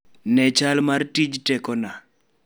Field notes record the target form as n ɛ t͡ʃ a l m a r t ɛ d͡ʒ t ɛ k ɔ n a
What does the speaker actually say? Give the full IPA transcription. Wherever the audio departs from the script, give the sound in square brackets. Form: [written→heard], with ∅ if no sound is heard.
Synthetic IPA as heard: n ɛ t͡ʃ a l m a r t [ɛ→i] d͡ʒ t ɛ k ɔ n a